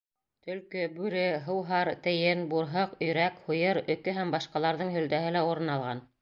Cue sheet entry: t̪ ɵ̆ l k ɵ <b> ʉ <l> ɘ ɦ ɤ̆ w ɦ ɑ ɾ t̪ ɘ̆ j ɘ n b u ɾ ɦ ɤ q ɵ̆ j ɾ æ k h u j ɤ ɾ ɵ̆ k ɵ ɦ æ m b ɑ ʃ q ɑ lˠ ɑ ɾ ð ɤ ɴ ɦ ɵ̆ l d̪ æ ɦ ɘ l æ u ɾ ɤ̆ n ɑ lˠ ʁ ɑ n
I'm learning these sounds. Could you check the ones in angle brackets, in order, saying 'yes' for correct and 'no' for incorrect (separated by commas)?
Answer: yes, no